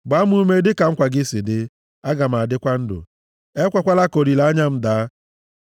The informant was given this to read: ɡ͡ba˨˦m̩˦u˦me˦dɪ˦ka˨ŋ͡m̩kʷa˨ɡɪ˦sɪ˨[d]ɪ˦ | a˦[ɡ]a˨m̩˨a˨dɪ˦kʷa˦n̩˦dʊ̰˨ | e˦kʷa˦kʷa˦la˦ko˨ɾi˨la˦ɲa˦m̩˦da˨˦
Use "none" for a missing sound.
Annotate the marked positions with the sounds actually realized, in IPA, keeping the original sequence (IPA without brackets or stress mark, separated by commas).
d, ɡ